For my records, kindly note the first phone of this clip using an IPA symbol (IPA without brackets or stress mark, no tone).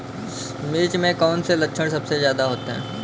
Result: m